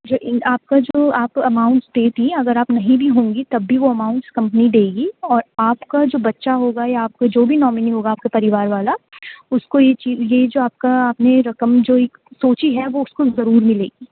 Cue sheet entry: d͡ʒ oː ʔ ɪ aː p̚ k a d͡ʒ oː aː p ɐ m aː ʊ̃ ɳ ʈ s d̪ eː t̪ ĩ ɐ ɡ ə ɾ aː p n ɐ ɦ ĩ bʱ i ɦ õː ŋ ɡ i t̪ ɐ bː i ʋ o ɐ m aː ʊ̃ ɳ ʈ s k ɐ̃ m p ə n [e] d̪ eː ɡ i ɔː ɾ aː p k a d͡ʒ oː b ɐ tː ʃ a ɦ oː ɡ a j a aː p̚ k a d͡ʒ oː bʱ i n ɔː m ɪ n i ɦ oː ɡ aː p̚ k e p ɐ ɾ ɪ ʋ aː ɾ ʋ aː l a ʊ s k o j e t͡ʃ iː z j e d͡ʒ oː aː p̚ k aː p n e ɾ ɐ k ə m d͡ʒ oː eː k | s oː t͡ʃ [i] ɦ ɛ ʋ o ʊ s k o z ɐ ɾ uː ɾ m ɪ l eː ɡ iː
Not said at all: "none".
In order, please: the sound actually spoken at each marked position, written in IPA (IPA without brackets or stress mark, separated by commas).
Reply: i, i